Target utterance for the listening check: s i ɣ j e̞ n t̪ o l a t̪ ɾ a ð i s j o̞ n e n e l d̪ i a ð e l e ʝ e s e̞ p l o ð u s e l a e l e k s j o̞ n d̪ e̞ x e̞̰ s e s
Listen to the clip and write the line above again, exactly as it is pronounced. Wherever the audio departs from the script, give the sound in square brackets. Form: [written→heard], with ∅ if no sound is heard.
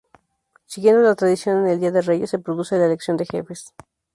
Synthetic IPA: s i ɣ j e̞ n [t̪→d̪] o l a t̪ ɾ a ð i s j o̞ n e n e l d̪ i a ð e [l→r] e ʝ e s e̞ p [l→ɾ] o ð u s e l a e l e k s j o̞ n d̪ e̞ x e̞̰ [s→f] e s